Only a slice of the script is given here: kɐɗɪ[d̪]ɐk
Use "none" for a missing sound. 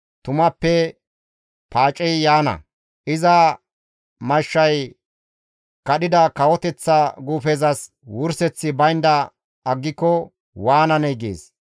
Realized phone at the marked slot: d̪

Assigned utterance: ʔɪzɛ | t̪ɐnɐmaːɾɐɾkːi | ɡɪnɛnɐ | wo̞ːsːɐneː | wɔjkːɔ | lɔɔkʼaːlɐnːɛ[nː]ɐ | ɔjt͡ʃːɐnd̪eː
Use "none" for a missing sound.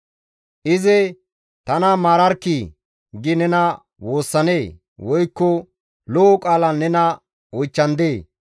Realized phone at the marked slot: n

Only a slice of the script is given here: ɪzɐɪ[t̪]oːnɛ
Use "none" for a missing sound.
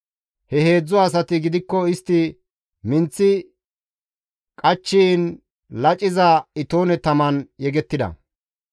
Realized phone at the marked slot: t̪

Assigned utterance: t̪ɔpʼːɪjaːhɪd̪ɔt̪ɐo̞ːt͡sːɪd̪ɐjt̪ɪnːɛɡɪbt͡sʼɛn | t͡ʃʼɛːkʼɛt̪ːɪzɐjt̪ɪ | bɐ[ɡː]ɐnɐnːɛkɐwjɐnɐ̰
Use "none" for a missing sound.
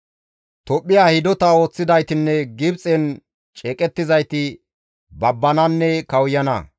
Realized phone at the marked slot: bː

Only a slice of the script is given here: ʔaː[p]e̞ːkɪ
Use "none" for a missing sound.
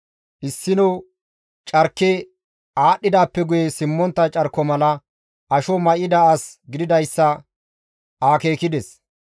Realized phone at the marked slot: k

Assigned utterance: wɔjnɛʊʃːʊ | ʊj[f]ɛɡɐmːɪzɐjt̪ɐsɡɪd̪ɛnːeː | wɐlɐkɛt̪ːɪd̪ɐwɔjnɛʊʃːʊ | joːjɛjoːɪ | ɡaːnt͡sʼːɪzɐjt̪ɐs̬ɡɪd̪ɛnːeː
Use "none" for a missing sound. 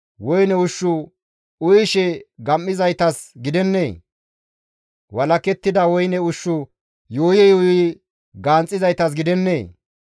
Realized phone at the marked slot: ʃ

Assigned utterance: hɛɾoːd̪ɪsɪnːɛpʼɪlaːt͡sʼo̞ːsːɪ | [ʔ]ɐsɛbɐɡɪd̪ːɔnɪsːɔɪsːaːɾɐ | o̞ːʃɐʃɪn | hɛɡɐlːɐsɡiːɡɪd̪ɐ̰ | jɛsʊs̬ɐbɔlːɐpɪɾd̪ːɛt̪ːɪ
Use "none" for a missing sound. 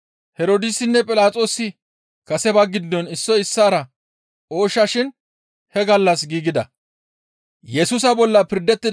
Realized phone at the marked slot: k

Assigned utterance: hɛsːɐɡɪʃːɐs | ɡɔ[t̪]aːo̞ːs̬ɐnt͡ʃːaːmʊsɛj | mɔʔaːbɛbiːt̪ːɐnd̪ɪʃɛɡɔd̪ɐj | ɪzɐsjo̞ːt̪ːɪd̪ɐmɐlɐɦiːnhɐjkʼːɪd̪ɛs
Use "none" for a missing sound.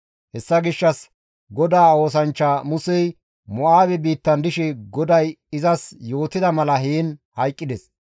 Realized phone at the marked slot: d̪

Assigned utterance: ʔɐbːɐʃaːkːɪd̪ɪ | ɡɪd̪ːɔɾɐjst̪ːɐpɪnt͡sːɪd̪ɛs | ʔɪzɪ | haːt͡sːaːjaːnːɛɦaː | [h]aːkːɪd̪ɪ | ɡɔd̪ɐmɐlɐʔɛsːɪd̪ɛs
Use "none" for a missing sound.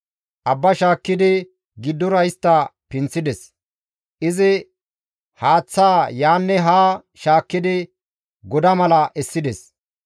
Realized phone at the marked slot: ʃ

